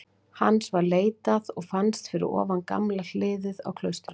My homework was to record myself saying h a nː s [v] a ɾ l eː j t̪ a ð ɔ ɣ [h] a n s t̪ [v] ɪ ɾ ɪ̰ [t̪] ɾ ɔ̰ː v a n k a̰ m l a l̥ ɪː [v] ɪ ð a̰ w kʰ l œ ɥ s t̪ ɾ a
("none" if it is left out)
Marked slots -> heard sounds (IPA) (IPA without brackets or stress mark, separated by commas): v, f, f, none, ð